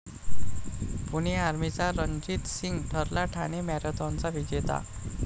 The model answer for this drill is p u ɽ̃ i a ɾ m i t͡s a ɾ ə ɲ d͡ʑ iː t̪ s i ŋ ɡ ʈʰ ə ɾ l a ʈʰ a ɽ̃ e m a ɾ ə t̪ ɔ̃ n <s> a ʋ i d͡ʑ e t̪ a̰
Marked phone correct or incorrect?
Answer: incorrect